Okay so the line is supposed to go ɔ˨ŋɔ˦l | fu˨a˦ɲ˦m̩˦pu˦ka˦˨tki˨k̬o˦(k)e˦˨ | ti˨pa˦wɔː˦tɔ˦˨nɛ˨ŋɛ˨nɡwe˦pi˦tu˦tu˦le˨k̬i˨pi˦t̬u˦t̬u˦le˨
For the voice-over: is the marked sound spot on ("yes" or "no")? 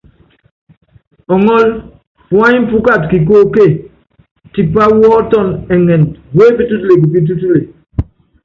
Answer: yes